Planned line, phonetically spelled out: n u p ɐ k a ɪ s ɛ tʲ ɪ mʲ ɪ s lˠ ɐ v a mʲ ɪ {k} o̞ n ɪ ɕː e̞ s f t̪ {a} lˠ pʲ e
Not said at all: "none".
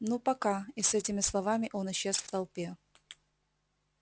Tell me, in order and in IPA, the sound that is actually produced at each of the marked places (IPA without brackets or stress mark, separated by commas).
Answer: ʔ, ɐ